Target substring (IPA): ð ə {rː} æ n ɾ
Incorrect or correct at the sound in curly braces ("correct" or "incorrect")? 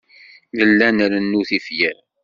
incorrect